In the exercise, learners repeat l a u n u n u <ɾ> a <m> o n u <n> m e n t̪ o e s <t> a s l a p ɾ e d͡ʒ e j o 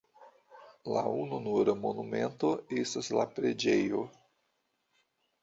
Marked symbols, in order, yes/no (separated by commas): yes, yes, no, yes